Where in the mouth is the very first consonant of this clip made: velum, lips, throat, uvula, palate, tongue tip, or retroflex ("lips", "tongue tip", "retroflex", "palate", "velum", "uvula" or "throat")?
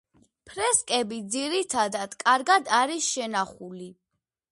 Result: lips